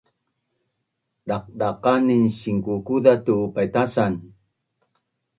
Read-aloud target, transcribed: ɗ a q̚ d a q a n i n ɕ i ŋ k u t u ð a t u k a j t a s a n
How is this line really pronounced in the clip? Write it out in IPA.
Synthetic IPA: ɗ a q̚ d a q a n i n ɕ i ŋ k u k u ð a t u p a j t a s a n